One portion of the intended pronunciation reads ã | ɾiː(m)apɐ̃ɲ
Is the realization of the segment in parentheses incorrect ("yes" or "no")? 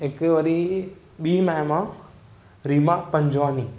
no